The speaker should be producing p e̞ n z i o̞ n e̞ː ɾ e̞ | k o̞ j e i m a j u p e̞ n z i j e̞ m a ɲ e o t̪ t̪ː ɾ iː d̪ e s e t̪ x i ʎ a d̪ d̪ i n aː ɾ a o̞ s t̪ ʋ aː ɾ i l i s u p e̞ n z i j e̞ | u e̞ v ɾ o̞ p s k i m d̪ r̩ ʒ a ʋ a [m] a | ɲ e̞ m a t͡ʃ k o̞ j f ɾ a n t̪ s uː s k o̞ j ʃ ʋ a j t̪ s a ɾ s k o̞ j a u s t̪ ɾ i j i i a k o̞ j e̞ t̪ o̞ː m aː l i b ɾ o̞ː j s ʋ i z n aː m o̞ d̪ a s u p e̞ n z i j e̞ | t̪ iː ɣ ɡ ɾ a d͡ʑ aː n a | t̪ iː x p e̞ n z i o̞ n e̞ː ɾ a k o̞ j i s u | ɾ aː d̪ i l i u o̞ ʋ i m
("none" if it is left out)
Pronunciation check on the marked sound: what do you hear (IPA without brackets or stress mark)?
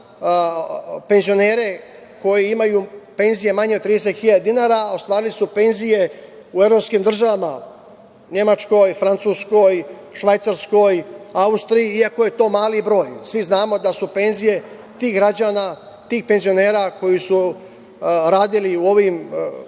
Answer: m